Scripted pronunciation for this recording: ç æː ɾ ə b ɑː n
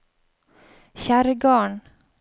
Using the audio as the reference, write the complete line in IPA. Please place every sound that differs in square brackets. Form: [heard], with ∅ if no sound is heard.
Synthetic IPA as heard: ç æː ɾ ə [ɡ] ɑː [ɳ]